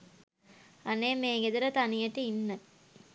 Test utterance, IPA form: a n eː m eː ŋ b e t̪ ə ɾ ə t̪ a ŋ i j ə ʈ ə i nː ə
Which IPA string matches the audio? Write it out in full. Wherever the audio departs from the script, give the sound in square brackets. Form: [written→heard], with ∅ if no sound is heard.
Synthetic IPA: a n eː m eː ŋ [b→ɡ] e [t̪→d̪] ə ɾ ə t̪ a [ŋ→n] i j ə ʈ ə i nː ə